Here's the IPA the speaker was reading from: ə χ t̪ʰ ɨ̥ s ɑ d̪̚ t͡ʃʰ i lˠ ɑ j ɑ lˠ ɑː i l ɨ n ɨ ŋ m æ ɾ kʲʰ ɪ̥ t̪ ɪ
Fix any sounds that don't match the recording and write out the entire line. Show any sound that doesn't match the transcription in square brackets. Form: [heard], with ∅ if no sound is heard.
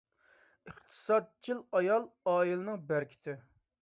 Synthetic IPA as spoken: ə χ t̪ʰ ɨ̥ s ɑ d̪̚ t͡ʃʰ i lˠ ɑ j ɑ lˠ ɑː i l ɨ n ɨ ŋ [b] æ ɾ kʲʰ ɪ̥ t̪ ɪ